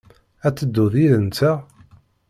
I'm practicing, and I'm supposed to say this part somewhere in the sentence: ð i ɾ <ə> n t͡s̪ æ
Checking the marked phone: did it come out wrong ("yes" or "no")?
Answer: no